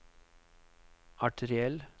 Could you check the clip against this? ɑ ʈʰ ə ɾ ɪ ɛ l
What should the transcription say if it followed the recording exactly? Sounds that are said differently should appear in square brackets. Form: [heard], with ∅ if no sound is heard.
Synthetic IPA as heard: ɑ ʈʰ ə ɾ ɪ ɛ l